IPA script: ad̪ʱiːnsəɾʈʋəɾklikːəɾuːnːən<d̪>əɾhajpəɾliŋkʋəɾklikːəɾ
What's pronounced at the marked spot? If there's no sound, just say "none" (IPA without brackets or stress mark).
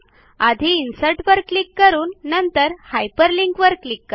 t̪